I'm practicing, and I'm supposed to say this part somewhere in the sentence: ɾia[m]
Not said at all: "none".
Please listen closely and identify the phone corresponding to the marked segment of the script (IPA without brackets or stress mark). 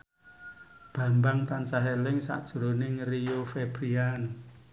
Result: n